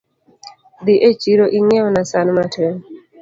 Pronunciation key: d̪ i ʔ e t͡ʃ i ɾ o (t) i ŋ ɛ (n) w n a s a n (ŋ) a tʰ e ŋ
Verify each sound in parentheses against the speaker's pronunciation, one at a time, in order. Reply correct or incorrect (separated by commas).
incorrect, incorrect, incorrect